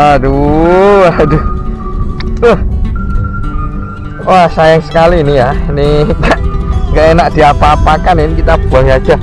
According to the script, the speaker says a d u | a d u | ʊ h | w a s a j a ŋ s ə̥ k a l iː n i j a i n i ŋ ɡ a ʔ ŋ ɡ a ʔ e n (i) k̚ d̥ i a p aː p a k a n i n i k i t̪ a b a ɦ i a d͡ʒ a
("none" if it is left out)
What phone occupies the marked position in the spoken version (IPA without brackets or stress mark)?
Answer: a